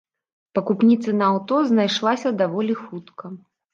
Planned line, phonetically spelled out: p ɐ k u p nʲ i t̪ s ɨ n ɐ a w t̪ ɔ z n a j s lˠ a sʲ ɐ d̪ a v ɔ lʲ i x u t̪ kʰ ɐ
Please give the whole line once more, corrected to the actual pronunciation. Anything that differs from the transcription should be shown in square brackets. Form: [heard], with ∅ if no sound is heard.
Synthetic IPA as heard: p ɐ k u p nʲ i t̪ s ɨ n ɐ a w t̪ ɔ z n a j [ʂ] lˠ a sʲ ɐ d̪ a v ɔ lʲ i x u t̪ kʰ ɐ